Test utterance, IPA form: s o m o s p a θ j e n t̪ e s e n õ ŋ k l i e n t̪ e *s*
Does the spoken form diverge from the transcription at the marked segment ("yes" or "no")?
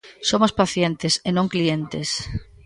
no